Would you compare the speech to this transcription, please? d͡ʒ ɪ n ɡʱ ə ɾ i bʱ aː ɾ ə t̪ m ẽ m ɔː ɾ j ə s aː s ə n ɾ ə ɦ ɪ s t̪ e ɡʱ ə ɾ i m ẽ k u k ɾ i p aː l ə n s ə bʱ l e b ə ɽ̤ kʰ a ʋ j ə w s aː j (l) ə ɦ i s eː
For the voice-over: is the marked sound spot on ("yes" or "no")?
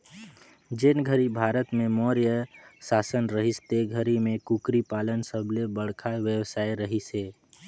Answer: no